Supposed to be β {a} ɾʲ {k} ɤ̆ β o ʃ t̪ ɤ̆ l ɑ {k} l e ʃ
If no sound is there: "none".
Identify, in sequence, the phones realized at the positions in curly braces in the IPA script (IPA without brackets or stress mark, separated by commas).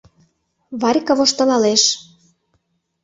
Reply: ɑ, k, none